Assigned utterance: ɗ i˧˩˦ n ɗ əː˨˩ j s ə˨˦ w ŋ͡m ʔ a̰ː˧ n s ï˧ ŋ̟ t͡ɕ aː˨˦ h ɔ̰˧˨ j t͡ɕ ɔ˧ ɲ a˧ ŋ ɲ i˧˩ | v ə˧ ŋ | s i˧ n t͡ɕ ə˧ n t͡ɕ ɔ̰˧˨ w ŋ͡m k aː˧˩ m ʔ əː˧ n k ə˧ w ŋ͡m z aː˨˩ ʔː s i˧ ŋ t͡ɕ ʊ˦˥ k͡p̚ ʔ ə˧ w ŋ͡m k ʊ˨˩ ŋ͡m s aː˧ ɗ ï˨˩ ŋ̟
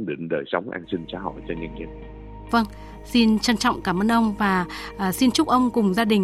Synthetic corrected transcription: ɗ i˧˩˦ n ɗ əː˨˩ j s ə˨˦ w ŋ͡m ʔ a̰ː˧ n s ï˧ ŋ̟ t͡ɕ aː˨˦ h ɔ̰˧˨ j t͡ɕ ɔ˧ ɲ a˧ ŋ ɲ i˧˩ | v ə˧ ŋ | s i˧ n t͡ɕ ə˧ n t͡ɕ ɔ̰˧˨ w ŋ͡m k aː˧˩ m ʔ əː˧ n ʔ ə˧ w ŋ͡m v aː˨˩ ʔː s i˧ n t͡ɕ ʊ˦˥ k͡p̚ ʔ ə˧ w ŋ͡m k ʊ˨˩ ŋ͡m z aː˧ ɗ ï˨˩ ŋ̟